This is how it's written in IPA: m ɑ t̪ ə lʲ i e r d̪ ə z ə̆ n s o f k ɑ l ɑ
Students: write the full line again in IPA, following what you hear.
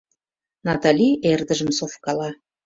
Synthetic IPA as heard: n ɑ t̪ ɑ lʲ i e r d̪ ə ʒ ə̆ m s o f k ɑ l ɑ